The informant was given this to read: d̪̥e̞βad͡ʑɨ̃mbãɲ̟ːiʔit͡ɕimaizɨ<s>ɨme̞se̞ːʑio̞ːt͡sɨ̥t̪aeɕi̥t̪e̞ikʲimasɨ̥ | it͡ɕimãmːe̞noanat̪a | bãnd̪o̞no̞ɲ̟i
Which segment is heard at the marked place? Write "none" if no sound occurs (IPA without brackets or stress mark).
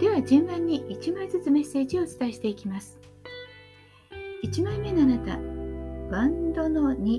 t͡s